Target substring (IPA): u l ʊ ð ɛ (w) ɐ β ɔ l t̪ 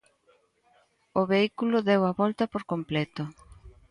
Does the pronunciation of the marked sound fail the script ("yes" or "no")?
no